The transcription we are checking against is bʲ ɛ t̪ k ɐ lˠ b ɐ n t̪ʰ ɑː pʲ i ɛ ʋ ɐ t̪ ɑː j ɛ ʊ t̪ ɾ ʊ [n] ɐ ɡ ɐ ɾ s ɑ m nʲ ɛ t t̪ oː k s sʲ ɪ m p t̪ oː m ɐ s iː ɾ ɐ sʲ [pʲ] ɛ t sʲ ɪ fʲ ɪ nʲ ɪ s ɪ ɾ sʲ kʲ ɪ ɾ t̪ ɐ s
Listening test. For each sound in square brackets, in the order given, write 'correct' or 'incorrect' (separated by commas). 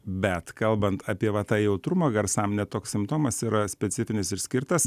incorrect, correct